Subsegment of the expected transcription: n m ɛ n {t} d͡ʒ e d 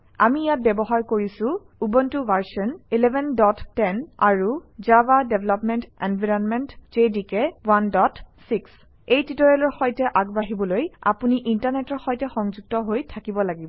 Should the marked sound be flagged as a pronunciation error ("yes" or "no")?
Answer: no